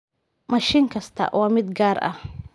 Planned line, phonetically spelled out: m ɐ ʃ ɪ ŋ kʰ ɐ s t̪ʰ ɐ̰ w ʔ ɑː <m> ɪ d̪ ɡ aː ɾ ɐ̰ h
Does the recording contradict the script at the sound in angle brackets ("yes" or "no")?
no